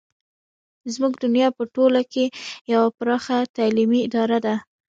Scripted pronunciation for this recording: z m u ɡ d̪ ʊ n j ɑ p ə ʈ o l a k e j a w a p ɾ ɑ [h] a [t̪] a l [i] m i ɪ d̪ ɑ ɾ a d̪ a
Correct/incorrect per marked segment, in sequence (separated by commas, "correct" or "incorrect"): incorrect, correct, correct